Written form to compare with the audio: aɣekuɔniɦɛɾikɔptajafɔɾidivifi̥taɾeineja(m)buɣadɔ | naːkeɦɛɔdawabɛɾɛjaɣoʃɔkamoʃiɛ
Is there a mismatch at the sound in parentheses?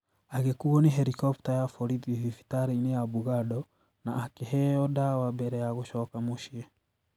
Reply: yes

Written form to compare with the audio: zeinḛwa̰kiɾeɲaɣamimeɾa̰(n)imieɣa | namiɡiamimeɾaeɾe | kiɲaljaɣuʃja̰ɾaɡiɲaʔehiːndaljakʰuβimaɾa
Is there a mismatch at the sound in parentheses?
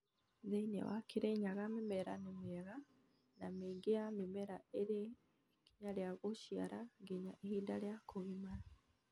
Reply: no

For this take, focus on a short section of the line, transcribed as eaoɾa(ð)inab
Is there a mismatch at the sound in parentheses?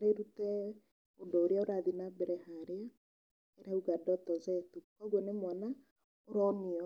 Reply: no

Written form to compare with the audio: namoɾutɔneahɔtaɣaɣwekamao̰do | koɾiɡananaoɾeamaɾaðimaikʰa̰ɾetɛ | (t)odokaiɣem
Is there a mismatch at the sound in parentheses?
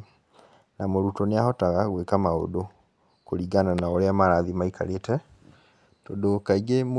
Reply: no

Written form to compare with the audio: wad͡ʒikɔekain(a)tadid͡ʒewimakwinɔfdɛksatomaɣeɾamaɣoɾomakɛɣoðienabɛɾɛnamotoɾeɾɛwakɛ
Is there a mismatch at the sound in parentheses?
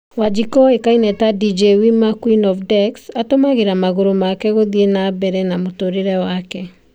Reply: yes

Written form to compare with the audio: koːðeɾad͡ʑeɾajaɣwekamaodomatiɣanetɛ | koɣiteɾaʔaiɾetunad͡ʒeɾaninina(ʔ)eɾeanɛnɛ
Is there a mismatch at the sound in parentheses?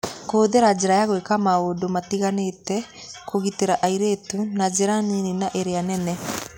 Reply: no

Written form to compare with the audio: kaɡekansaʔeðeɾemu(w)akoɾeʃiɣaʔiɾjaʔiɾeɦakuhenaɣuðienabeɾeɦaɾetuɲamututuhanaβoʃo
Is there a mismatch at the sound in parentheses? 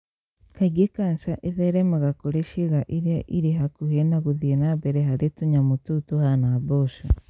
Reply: yes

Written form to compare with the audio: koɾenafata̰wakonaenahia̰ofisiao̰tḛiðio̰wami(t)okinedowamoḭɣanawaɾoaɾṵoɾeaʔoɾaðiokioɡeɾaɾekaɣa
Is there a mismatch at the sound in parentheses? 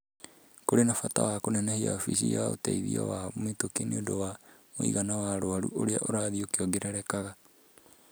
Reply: no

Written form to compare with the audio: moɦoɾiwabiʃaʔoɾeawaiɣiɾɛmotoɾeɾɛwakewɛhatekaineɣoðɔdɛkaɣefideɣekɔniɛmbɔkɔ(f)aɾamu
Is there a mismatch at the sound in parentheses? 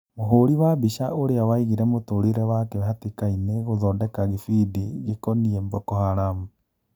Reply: yes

